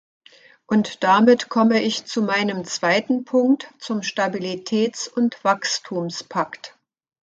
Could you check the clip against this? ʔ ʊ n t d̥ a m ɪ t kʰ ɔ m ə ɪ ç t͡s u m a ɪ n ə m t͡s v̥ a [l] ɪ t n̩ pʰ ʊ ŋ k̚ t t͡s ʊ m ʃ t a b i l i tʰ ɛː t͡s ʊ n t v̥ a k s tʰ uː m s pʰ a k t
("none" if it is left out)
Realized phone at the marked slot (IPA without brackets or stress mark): none